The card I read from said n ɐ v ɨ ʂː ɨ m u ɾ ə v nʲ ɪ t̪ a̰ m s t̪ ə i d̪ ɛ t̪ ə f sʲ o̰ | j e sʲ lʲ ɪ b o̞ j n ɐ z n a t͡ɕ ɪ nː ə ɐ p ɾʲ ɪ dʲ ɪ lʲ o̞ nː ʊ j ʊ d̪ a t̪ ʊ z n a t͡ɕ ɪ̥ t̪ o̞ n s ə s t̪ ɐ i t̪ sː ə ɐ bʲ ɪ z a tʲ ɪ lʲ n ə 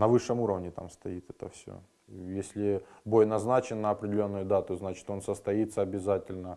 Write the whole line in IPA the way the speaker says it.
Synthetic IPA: n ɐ v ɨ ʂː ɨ m u ɾ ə v nʲ ɪ t̪ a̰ m s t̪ ɐ i t̪ ɛ t̪ ə f sʲ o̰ | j e sʲ lʲ ɪ b o̞ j n ɐ z n a t͡ɕ ɪ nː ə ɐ p ɾʲ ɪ dʲ ɪ lʲ o̞ nː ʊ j ʊ d̪ a t̪ ʊ z n a t͡ɕ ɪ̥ t̪ o̞ n s ə s t̪ ɐ i t̪ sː ə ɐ bʲ ɪ z a tʲ ɪ lʲ n ə